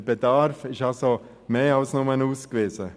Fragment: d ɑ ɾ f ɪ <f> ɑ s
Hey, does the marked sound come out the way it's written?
no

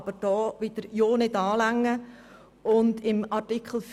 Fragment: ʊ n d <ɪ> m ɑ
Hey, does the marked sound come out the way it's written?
yes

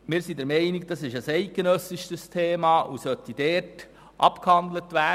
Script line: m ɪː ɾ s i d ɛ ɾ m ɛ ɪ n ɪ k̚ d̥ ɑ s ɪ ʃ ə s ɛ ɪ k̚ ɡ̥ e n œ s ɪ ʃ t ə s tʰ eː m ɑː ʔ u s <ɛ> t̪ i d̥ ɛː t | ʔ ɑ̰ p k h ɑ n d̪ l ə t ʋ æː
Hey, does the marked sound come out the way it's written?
no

